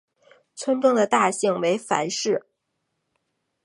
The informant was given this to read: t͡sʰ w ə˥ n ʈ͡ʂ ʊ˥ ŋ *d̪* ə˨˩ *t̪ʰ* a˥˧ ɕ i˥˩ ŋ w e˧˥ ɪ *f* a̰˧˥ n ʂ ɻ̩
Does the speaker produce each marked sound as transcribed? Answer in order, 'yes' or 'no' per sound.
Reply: yes, no, yes

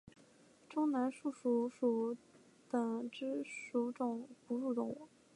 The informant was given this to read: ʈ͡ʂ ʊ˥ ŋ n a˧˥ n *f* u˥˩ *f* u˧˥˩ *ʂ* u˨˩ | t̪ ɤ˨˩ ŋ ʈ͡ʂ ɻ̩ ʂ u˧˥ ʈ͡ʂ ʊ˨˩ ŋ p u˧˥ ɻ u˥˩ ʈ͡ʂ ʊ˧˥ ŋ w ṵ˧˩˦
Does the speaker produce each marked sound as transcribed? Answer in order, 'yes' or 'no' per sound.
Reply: no, no, yes

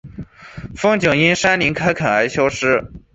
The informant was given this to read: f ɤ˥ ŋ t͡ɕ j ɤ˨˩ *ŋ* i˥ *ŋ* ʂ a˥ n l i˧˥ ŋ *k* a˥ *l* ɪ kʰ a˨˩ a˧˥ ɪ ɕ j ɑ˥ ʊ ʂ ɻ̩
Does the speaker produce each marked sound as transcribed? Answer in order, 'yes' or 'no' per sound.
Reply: yes, no, no, no

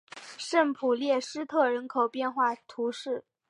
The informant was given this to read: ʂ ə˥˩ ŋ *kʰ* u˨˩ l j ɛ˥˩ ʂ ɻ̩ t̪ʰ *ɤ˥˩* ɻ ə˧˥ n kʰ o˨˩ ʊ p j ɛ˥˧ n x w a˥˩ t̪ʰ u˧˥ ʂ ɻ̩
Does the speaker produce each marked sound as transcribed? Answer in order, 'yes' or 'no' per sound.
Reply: no, yes

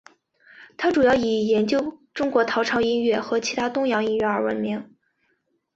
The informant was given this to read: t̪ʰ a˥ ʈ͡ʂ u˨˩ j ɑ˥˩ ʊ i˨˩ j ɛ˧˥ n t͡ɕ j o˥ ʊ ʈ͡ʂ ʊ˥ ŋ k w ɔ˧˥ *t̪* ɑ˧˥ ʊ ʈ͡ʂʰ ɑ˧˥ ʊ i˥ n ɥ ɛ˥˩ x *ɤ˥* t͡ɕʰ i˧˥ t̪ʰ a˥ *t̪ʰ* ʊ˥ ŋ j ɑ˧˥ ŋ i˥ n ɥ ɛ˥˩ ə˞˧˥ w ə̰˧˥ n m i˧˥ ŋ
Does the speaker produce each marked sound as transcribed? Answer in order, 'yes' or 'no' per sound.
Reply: no, no, no

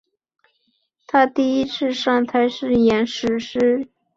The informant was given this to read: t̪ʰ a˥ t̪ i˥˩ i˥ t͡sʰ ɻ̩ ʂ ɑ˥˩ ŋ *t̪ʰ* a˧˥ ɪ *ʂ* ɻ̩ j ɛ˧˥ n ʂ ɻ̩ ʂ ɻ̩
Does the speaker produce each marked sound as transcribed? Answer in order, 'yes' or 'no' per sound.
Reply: yes, yes

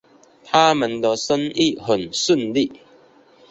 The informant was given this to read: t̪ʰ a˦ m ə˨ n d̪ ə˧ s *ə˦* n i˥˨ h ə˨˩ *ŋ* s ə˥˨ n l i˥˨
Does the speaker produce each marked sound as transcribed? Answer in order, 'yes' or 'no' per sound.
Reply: yes, no

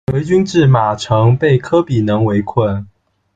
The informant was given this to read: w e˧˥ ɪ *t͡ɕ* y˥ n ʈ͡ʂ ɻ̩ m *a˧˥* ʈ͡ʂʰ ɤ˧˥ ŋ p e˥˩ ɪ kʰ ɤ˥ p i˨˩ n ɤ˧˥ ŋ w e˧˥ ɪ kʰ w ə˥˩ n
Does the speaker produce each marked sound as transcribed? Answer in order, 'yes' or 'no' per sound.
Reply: yes, no

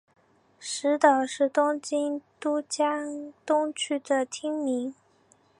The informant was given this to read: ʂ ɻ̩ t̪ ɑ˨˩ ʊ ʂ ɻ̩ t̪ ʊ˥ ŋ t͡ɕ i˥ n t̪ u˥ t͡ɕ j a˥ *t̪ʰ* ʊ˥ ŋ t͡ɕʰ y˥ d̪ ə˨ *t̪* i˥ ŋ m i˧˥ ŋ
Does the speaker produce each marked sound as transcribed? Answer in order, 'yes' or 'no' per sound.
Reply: no, no

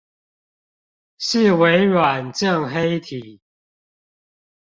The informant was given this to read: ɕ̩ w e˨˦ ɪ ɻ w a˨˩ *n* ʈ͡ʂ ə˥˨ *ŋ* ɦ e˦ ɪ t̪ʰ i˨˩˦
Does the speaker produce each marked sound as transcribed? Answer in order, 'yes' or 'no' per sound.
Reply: yes, yes

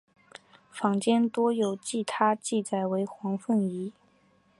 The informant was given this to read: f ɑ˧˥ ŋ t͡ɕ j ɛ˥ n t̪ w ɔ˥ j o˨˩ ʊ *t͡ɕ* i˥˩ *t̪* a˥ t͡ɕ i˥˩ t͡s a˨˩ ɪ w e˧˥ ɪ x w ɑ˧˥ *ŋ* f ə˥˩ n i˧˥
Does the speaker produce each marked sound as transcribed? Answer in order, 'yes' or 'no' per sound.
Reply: yes, no, yes

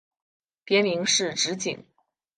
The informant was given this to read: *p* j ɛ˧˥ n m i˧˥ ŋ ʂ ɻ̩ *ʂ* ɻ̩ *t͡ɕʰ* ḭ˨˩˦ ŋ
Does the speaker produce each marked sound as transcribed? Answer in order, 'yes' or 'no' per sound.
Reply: yes, no, no

